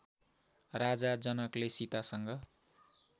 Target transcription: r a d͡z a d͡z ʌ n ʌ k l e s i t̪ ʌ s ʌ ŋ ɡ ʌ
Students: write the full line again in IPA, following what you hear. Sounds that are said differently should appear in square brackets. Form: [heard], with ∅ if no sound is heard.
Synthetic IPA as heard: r a d͡z a d͡z ʌ n ʌ k l e s i t̪ [a] s ʌ ŋ ɡ ʌ